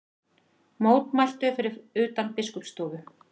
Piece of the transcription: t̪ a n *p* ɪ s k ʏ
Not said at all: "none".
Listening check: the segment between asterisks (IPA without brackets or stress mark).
p